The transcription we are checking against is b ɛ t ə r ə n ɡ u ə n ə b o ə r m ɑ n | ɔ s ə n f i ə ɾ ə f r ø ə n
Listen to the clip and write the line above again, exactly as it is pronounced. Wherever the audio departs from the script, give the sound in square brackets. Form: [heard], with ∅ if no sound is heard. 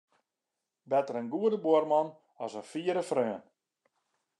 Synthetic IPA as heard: b ɛ t ə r ə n ɡ u ə [d] ə b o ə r m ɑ n | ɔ s ə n f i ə ɾ ə f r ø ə n